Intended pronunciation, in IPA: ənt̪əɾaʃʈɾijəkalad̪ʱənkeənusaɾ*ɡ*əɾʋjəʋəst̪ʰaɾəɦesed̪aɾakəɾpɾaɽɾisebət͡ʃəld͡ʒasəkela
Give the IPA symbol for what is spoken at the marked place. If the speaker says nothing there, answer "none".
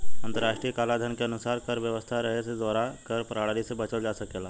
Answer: k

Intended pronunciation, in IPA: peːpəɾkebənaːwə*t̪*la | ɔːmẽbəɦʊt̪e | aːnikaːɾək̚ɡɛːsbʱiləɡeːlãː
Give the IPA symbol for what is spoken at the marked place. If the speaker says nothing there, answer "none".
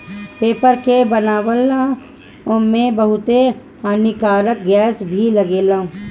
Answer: none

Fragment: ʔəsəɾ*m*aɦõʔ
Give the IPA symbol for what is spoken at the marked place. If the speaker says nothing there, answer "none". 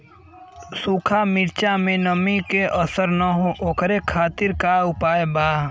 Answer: n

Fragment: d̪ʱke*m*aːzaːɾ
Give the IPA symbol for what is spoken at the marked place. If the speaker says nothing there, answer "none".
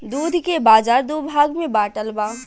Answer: b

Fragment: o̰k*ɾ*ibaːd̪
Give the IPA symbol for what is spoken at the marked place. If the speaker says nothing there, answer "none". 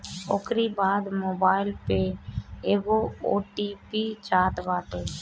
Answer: ɾ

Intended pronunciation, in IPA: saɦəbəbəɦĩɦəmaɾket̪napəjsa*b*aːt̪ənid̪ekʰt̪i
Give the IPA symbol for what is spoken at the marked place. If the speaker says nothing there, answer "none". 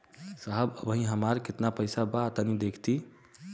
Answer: b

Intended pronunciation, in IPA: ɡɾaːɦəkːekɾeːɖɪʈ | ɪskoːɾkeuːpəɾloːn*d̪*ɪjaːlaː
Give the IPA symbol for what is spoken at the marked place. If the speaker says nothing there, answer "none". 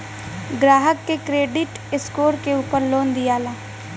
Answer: d̪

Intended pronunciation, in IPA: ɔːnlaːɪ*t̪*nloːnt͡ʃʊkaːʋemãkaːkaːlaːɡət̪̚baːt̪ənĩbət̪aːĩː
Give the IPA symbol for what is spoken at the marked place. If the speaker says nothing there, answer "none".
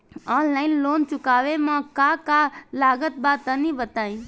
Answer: none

